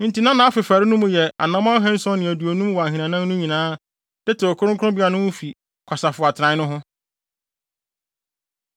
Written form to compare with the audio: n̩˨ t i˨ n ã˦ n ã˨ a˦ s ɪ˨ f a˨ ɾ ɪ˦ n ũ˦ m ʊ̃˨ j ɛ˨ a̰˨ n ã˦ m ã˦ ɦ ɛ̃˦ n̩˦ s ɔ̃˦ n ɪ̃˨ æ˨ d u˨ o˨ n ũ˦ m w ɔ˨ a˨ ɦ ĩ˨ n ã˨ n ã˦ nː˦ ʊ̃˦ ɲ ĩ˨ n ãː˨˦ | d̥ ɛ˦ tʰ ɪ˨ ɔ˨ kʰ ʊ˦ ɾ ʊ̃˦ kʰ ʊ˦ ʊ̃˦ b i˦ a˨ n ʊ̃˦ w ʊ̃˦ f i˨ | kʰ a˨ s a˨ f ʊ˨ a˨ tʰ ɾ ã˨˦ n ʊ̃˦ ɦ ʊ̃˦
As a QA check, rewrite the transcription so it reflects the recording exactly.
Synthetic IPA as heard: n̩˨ t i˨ n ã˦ n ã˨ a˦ f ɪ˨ f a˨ ɾ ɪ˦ n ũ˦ m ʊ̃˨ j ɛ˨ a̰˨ n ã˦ m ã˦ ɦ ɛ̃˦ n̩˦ s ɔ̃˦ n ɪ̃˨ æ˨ d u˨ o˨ n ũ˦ m w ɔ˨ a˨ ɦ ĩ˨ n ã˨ n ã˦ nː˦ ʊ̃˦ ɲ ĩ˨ n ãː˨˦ | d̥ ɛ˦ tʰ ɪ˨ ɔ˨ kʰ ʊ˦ ɾ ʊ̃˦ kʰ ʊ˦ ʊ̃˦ b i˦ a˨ n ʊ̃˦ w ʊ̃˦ f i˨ | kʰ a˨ s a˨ f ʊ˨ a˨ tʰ ɾ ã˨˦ n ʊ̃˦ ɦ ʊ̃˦